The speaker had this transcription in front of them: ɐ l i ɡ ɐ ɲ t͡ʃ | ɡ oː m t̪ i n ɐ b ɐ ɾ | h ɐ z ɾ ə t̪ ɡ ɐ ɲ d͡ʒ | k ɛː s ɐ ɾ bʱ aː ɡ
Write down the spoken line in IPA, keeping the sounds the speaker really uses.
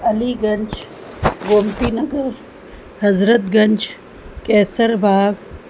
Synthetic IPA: ɐ l i ɡ ɐ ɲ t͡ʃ | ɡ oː m t̪ i n ɐ ɡ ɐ ɾ | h ɐ z ɾ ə t̪ ɡ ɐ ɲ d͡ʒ | k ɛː s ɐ ɾ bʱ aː ɡ